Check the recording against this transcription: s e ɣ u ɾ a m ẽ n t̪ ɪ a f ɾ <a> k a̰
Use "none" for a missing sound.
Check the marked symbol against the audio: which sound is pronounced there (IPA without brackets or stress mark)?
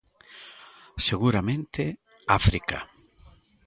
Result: i